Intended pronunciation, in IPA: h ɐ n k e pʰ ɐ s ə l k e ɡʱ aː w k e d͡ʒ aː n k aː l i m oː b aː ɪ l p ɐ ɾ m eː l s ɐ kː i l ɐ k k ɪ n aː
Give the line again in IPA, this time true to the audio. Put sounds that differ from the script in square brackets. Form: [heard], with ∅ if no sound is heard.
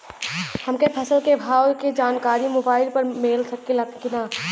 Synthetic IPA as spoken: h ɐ [m] k e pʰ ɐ s ə l k e [bʱ] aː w k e d͡ʒ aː n k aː [ɾ] i m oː b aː ɪ l p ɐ ɾ m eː l s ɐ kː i l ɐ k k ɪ n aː